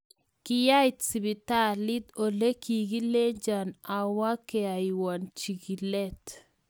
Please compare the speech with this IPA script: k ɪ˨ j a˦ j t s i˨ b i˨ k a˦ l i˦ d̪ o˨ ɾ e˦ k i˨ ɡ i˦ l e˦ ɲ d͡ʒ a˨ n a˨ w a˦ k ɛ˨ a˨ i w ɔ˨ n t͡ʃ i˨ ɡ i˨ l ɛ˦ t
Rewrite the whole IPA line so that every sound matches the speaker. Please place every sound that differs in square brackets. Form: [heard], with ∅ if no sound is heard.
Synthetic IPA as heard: k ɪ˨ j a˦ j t s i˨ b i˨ [t] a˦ l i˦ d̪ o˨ [l] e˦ k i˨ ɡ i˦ l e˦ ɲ d͡ʒ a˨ n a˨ w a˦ k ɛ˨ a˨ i w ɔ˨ n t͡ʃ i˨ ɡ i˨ l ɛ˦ t

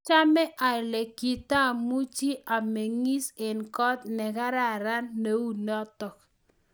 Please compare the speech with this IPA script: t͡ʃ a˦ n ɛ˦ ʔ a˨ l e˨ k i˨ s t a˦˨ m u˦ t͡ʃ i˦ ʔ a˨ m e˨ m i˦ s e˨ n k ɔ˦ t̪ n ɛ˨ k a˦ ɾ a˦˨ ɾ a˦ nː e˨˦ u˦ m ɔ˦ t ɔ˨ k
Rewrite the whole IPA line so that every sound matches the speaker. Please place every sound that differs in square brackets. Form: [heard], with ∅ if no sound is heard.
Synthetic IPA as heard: t͡ʃ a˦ [m] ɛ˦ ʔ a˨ l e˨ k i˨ [∅] t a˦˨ m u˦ t͡ʃ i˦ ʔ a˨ m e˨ [ŋ] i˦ s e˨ n k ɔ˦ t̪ n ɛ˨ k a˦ ɾ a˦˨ ɾ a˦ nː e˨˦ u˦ [n] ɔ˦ t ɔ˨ k

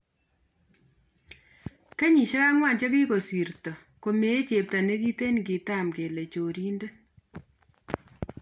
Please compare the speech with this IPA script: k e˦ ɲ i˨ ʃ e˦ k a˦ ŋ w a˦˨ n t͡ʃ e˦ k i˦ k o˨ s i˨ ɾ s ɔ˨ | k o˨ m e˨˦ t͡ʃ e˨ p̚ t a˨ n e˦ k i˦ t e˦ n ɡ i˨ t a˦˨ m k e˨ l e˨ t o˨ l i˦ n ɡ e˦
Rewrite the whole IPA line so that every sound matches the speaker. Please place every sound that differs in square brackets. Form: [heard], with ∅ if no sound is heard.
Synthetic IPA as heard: k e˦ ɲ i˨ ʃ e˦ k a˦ ŋ w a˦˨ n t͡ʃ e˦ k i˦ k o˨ s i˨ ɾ [t] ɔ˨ | k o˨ m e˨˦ t͡ʃ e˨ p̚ t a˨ n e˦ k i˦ t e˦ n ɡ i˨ t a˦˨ m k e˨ l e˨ [t͡ʃ] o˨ [ɾ] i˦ n [d] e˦

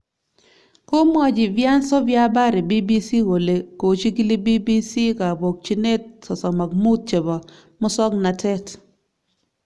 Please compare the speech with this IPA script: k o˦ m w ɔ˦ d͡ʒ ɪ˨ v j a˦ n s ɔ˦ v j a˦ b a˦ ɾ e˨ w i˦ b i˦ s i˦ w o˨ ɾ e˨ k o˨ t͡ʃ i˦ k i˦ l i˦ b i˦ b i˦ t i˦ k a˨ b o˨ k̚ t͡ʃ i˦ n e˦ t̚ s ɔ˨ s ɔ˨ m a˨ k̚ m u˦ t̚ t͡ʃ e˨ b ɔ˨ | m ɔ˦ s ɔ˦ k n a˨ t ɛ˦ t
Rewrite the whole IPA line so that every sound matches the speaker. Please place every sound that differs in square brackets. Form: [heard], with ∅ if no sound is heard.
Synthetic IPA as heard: k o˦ m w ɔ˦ d͡ʒ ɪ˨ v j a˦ n s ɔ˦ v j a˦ b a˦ ɾ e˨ [b] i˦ b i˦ s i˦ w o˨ [l] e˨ k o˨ t͡ʃ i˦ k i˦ l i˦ b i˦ b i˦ [s] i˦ k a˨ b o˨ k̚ t͡ʃ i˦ n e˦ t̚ s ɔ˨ s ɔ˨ m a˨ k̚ m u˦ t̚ t͡ʃ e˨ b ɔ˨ | m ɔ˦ s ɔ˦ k n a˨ t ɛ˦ t

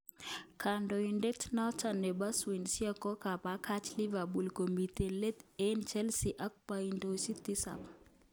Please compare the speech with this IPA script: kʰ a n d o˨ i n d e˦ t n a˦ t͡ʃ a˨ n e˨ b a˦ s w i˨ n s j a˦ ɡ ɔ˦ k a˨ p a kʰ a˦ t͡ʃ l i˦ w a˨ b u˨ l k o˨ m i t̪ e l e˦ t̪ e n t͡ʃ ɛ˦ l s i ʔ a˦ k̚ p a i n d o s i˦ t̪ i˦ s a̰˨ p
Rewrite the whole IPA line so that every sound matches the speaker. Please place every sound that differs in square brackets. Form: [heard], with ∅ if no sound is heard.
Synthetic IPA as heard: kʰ a n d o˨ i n d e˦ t n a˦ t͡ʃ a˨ n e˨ b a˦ s w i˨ n s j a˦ [k] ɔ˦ k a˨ p a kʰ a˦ t͡ʃ l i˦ [v] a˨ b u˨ l k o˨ m i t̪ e l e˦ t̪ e n t͡ʃ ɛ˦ l s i ʔ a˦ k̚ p a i n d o s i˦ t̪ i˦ s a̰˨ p

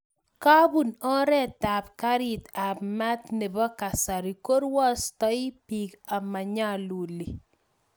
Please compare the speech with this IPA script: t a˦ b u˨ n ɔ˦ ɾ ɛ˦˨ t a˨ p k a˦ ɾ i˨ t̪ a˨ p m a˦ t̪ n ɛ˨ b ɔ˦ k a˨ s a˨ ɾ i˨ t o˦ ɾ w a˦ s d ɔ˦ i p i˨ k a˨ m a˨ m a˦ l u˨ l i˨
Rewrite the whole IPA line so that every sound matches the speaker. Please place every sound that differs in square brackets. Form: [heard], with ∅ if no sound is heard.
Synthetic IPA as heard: [k] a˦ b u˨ n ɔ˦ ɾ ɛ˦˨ t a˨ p k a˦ ɾ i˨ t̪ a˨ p m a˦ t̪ n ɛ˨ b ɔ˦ k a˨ s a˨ ɾ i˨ [k] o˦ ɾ w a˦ s [t] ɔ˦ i p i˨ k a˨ m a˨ [ɲ] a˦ l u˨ l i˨

